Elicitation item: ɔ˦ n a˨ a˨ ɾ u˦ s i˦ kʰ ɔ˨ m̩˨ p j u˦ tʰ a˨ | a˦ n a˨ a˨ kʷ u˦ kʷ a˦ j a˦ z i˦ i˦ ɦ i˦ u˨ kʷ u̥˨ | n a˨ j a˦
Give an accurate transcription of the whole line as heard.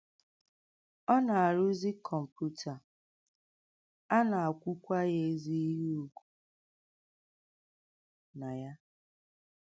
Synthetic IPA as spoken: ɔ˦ n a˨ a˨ ɾ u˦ z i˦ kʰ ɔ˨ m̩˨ p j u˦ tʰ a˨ | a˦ n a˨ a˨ kʷ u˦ kʷ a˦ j e˦ z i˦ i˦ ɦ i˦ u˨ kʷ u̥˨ | n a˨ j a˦